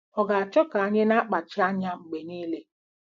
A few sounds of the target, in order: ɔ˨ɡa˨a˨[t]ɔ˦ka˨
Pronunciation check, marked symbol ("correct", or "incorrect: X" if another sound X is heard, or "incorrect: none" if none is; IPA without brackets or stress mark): incorrect: t͡ʃ